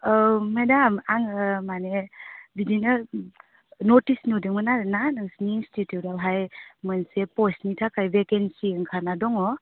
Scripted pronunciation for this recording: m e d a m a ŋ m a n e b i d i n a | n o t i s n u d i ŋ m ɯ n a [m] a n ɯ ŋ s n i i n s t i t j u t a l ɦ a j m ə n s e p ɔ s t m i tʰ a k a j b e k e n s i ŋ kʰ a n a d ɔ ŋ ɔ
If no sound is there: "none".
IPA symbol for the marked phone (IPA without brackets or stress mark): n